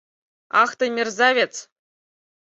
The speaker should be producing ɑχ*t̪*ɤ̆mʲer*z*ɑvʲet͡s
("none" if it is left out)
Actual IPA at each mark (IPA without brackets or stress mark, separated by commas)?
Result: t̪, z